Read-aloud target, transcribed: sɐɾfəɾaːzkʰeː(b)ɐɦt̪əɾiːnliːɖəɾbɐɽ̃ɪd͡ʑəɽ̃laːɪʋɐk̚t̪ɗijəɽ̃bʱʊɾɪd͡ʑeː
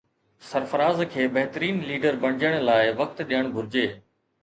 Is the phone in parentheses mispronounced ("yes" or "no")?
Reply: no